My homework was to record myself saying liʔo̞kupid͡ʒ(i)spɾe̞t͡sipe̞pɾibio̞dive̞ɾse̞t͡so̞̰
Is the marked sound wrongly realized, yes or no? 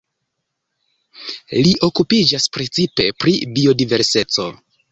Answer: yes